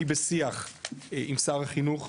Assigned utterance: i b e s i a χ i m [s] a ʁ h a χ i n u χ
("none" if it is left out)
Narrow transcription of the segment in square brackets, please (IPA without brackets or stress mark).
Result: s